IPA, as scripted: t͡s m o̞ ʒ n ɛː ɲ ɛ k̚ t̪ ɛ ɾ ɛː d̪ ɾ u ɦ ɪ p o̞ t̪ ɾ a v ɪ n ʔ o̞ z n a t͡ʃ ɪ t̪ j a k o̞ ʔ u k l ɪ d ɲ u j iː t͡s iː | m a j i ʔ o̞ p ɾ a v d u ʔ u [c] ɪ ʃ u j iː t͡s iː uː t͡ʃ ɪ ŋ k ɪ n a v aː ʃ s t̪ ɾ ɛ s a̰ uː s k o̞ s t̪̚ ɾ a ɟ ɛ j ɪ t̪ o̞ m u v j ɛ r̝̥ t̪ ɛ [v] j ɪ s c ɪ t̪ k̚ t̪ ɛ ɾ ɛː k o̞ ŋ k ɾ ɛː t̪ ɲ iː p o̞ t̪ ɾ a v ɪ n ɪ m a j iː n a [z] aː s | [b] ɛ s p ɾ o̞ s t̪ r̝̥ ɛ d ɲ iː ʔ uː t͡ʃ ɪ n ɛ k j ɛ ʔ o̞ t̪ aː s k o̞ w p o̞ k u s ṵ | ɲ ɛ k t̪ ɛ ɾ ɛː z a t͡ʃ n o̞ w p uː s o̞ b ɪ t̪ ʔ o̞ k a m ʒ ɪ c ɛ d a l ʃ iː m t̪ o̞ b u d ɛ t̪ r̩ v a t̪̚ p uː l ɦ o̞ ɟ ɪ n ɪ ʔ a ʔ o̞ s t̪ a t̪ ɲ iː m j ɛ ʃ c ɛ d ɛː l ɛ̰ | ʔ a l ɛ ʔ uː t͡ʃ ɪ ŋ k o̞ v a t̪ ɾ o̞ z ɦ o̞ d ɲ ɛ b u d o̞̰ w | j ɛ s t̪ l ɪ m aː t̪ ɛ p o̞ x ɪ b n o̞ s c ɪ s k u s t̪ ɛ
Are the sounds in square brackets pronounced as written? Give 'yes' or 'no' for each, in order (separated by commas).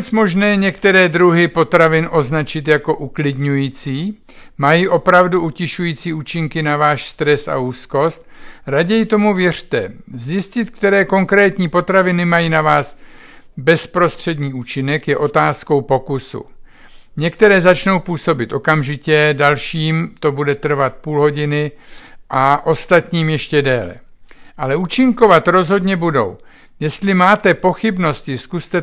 yes, no, no, yes